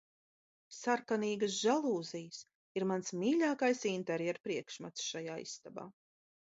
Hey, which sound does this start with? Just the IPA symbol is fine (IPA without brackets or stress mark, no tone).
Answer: s